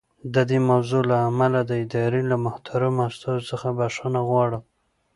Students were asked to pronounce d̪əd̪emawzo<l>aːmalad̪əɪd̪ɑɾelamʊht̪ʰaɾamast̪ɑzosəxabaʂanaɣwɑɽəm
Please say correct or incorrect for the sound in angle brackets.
correct